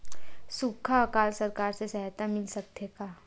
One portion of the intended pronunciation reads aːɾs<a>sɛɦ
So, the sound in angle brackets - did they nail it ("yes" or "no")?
no